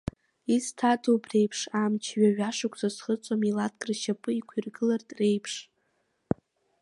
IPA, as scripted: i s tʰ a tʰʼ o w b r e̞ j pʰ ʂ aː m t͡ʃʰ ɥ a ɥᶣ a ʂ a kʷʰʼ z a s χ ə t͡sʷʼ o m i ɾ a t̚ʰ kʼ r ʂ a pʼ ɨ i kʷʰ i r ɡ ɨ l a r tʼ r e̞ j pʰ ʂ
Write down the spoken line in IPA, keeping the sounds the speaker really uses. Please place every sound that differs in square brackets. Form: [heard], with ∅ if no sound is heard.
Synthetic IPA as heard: i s tʰ a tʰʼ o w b r e̞ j pʰ ʂ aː m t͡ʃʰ ɥ a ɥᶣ a ʂ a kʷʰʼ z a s χ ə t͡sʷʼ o m i [l] a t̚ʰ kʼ r [ʃ] a pʼ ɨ i kʷʰ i r ɡ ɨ l a r tʼ r e̞ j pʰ ʂ